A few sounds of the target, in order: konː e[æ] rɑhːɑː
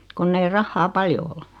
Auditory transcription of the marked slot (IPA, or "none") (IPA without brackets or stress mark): i